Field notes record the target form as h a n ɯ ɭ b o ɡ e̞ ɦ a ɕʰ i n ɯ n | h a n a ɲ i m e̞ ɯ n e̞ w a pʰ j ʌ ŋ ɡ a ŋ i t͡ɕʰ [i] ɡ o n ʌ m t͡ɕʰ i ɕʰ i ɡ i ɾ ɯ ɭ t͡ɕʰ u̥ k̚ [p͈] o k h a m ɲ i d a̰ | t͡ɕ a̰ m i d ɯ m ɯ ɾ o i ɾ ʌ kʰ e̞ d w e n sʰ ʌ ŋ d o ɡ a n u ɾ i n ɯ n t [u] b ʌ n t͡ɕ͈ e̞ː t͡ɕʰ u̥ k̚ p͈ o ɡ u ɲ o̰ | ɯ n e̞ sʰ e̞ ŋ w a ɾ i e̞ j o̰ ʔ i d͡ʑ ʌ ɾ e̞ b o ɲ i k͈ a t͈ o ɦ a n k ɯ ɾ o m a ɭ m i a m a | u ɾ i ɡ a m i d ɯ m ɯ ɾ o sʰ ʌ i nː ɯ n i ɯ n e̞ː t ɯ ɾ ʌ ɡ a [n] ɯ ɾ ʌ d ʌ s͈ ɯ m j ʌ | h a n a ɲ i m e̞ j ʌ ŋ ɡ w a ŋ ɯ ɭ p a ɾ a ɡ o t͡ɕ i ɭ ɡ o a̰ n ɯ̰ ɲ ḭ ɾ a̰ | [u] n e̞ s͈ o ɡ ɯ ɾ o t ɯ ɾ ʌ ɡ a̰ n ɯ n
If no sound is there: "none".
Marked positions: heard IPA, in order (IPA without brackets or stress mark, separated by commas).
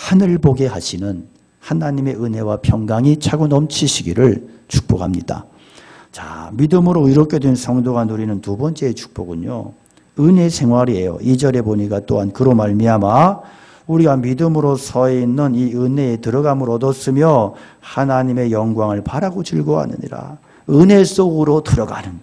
a, p͈, u, m, ɯ